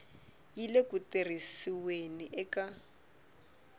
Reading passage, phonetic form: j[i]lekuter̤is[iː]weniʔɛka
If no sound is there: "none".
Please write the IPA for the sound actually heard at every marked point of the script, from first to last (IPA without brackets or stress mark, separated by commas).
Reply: i, i